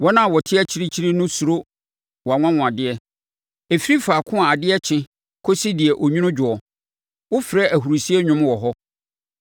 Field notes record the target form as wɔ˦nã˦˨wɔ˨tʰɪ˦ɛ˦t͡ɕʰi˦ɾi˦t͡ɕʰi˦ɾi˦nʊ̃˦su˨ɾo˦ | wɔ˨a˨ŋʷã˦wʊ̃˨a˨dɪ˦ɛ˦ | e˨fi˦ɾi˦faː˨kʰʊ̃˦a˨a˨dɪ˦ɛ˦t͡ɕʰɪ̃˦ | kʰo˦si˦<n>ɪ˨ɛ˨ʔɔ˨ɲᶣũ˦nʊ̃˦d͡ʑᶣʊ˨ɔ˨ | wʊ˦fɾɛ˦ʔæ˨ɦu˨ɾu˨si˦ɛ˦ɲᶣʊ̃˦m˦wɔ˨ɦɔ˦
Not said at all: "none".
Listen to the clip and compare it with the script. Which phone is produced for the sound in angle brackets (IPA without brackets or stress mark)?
d